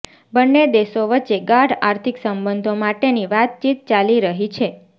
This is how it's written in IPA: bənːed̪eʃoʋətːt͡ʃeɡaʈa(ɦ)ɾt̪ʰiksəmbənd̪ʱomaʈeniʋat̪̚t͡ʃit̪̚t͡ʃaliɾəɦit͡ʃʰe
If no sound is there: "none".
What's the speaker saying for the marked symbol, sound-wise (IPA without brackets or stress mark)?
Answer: none